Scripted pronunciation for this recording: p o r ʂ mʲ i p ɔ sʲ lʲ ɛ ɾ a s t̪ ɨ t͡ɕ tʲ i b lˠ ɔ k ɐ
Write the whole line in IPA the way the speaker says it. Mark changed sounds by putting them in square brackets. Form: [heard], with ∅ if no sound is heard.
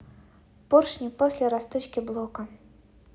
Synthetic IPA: p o r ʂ [nʲ] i p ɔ sʲ lʲ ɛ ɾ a s t̪ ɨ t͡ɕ [kʲ] i b lˠ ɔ k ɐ